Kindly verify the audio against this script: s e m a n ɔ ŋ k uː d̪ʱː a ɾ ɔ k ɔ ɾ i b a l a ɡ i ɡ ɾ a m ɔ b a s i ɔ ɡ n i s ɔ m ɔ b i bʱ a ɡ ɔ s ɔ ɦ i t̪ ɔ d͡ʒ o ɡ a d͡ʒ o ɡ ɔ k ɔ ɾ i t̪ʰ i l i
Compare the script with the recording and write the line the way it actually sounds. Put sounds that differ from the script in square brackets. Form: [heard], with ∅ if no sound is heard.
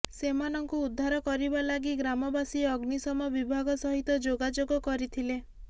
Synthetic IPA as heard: s e m a n ɔ ŋ k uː d̪ʱː a ɾ ɔ k ɔ ɾ i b a l a ɡ i ɡ ɾ a m ɔ b a s i ɔ ɡ n i s ɔ m ɔ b i bʱ a ɡ ɔ s ɔ ɦ i t̪ ɔ d͡ʒ o ɡ a d͡ʒ o ɡ ɔ k ɔ ɾ i t̪ʰ i l [e]

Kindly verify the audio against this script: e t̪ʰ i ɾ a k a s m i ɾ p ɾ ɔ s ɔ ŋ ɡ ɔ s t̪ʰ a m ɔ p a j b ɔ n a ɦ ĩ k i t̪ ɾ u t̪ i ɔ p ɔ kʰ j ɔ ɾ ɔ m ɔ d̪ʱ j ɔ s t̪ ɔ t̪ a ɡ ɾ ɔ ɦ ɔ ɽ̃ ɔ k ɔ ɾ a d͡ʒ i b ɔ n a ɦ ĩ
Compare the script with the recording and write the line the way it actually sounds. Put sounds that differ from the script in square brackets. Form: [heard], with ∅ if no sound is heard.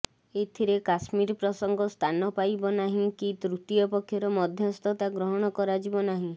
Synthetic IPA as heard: e t̪ʰ i ɾ [e] k a s m i ɾ p ɾ ɔ s ɔ ŋ ɡ ɔ s t̪ʰ a [n] ɔ p a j b ɔ n a ɦ ĩ k i t̪ ɾ u t̪ i ɔ p ɔ kʰ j ɔ ɾ ɔ m ɔ d̪ʱ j ɔ s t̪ ɔ t̪ a ɡ ɾ ɔ ɦ ɔ ɽ̃ ɔ k ɔ ɾ a d͡ʒ i b ɔ n a ɦ ĩ

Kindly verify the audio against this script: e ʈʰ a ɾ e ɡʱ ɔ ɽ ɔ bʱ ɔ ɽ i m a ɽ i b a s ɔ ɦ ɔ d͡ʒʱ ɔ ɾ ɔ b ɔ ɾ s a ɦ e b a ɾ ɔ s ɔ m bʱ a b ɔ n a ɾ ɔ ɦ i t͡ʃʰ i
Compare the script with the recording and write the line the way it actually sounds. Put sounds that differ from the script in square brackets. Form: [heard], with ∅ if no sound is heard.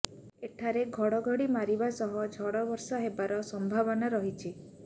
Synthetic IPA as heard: e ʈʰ a ɾ e ɡʱ ɔ ɽ ɔ [ɡʱ] ɔ ɽ i m a [ɾ] i b a s ɔ ɦ ɔ d͡ʒʱ ɔ [ɽ] ɔ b ɔ ɾ s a ɦ e b a ɾ ɔ s ɔ m bʱ a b ɔ n a ɾ ɔ ɦ i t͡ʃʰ i

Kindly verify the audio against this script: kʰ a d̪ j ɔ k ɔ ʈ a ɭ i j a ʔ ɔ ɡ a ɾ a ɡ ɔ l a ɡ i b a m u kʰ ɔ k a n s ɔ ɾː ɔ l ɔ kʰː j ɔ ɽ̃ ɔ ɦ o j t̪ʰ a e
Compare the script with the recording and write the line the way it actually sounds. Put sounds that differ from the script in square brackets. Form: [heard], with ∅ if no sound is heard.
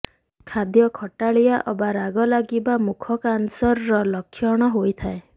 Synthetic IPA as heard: kʰ a d̪ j ɔ [kʰ] ɔ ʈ a ɭ i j a ʔ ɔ [b] a ɾ a ɡ ɔ l a ɡ i b a m u kʰ ɔ k a n s ɔ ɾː ɔ l ɔ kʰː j ɔ ɽ̃ ɔ ɦ o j t̪ʰ a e

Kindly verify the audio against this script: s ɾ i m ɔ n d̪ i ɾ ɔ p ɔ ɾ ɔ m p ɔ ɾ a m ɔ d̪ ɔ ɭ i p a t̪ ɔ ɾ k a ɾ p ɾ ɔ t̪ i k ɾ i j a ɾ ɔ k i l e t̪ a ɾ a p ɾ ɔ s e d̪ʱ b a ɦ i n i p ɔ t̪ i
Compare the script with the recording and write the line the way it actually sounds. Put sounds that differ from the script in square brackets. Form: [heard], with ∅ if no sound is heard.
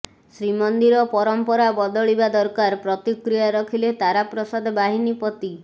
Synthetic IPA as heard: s ɾ i m ɔ n d̪ i ɾ ɔ p ɔ ɾ ɔ m p ɔ ɾ a [b] ɔ d̪ ɔ ɭ i [b] a [d̪] ɔ ɾ k a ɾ p ɾ ɔ t̪ i k ɾ i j a ɾ ɔ [kʰ] i l e t̪ a ɾ a p ɾ ɔ s [a] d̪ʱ b a ɦ i n i p ɔ t̪ i

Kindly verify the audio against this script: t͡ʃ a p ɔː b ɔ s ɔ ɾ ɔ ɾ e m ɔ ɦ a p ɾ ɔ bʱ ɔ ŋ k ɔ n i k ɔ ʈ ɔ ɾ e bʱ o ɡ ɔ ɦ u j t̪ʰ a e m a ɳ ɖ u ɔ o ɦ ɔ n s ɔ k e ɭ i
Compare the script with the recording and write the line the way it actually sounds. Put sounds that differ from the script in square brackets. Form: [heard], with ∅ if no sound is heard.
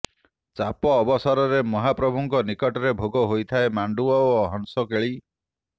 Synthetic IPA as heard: t͡ʃ a p ɔː b ɔ s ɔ ɾ ɔ ɾ e m ɔ ɦ a p ɾ ɔ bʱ [u] ŋ k ɔ n i k ɔ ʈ ɔ ɾ e bʱ o ɡ ɔ ɦ [o] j t̪ʰ a e m a ɳ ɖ u ɔ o ɦ ɔ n s ɔ k e ɭ i

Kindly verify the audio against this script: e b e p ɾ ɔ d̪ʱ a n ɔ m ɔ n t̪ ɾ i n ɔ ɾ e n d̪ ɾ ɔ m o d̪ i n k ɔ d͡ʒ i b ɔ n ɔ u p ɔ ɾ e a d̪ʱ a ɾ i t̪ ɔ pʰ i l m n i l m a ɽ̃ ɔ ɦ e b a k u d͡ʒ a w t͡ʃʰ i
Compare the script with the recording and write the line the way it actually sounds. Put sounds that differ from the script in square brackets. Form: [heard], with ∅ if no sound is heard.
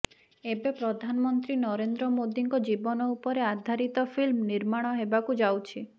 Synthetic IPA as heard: e b e p ɾ ɔ d̪ʱ a n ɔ m ɔ n t̪ ɾ i n ɔ ɾ e n d̪ ɾ ɔ m o d̪ i [ŋ] k ɔ d͡ʒ i b ɔ n ɔ u p ɔ ɾ e a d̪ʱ a ɾ i t̪ ɔ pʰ i l m n i [ɾ] m a ɽ̃ ɔ ɦ e b a k u d͡ʒ a w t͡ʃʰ i

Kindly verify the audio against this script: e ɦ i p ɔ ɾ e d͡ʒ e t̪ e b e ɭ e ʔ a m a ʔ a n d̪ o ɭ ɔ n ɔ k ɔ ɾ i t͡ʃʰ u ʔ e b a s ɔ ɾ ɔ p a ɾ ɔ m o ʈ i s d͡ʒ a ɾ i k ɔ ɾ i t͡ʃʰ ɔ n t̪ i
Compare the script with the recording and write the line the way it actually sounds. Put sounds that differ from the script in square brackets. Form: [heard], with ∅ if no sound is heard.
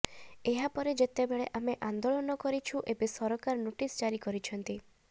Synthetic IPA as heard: e ɦ [a] p ɔ ɾ e d͡ʒ e t̪ e b e ɭ e ʔ a m [e] ʔ a n d̪ o ɭ ɔ n ɔ k ɔ ɾ i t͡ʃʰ u ʔ e b [e] s ɔ ɾ ɔ [k] a ɾ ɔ [n] o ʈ i s d͡ʒ a ɾ i k ɔ ɾ i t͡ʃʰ ɔ n t̪ i

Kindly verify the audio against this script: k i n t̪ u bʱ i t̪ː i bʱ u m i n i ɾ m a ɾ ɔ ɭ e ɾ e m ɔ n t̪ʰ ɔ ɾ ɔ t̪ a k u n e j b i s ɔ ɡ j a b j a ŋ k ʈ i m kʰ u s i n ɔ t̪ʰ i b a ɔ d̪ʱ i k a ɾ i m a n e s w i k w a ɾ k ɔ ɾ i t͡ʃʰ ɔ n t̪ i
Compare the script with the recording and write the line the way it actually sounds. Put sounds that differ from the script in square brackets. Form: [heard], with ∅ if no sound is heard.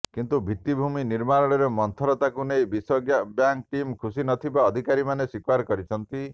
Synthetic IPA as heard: k i n t̪ u bʱ i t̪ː i bʱ u m i n i ɾ m a ɾ ɔ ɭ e ɾ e m ɔ n t̪ʰ ɔ ɾ ɔ t̪ a k u n e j b i s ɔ ɡ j a b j a ŋ k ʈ i m kʰ u s i n ɔ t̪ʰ i b a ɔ d̪ʱ i k a ɾ i m a n e s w i k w a ɾ k ɔ ɾ i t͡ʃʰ ɔ n t̪ i

